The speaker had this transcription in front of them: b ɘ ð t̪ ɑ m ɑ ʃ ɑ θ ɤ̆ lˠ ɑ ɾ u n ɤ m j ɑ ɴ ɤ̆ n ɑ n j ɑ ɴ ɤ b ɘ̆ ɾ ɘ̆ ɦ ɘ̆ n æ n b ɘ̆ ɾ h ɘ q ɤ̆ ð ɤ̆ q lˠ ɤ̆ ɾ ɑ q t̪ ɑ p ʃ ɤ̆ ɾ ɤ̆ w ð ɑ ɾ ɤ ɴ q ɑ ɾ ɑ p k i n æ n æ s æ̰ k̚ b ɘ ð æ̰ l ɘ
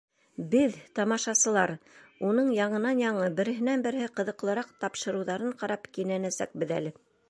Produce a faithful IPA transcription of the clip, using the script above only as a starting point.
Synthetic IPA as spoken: b ɘ ð t̪ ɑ m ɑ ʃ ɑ s ɤ̆ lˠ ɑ ɾ u n ɤ ɴ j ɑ ɴ ɤ̆ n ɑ n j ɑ ɴ ɤ b ɘ̆ ɾ ɘ̆ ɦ ɘ̆ n æ n b ɘ̆ ɾ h ɘ q ɤ̆ ð ɤ̆ q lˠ ɤ̆ ɾ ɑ q t̪ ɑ p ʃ ɤ̆ ɾ ɤ̆ w ð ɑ ɾ ɤ ɴ q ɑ ɾ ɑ p k i n æ n æ s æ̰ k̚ b ɘ ð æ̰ l ɘ